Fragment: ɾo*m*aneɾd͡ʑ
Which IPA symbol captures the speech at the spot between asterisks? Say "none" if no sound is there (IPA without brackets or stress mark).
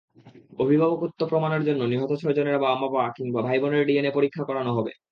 m